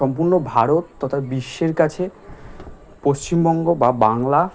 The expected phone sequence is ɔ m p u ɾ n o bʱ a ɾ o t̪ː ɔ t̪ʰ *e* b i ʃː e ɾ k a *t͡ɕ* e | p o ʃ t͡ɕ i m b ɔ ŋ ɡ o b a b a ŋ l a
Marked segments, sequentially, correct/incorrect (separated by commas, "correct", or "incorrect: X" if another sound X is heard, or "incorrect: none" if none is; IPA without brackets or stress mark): incorrect: a, incorrect: t͡ɕʰ